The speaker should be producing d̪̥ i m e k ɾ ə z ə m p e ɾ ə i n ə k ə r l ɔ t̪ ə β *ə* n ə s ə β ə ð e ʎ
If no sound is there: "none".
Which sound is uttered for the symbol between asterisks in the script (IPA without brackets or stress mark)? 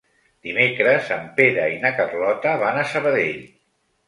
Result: a